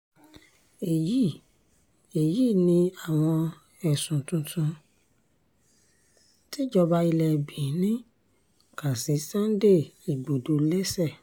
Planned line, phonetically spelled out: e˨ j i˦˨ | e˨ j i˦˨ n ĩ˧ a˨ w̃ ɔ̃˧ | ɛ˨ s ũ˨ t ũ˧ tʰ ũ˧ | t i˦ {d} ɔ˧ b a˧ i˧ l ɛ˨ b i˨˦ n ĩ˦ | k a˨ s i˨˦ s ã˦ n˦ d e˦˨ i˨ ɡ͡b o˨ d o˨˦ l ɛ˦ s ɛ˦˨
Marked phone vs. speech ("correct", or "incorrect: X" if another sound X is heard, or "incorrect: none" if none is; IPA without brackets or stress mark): incorrect: d͡ʒ